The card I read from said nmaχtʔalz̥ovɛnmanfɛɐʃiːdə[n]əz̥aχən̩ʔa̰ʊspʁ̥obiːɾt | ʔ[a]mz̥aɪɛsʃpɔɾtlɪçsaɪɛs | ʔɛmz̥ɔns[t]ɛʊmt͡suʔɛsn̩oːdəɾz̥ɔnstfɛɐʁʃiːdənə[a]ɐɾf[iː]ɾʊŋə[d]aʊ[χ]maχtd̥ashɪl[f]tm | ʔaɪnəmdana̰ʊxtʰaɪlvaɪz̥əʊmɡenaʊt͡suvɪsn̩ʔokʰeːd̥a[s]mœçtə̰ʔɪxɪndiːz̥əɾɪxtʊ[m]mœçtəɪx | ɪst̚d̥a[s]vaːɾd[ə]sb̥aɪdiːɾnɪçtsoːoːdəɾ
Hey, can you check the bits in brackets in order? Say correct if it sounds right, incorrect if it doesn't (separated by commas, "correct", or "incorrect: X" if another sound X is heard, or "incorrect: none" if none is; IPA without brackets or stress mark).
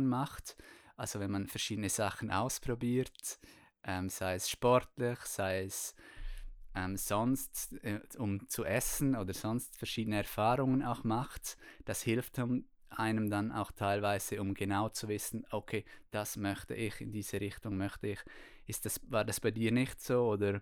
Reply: correct, incorrect: ɛ, correct, incorrect: ɛ, incorrect: aː, incorrect: n, incorrect: x, correct, correct, incorrect: ŋ, correct, incorrect: a